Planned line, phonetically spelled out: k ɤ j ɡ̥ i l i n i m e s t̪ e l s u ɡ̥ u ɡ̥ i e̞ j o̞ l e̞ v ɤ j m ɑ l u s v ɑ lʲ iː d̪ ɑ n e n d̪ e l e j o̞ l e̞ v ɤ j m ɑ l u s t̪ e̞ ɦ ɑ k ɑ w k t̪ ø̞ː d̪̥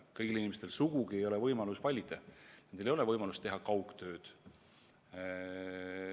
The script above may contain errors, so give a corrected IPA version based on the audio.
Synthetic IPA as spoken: k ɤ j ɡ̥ i l i n i m e s t̪ e l s u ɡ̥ u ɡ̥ i e̞ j o̞ l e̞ v ɤ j m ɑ l u s v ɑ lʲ i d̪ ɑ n e n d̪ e l e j o̞ l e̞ v ɤ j m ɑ l u s t̪ e̞ ɦ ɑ k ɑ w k t̪ ø̞ː d̪̥